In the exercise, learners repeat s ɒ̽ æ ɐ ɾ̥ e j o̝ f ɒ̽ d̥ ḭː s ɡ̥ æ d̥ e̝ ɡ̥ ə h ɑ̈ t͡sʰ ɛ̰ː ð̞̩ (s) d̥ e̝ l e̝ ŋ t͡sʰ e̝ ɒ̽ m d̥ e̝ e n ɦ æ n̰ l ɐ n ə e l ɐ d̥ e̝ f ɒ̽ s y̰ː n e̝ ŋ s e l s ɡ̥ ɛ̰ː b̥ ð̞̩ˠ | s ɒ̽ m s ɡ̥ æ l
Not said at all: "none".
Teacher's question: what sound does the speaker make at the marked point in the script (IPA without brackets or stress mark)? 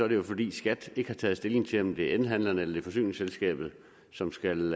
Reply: s